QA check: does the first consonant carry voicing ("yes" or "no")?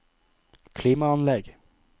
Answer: no